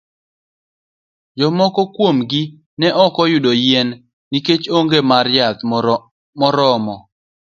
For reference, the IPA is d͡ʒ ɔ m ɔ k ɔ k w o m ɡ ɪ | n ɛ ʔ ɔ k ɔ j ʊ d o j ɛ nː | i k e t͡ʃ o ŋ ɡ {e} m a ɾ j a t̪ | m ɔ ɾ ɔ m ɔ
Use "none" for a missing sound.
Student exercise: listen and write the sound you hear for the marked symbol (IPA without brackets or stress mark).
e